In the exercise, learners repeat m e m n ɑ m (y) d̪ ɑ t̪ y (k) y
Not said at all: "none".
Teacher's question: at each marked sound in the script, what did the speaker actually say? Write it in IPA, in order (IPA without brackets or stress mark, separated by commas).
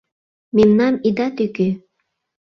i, k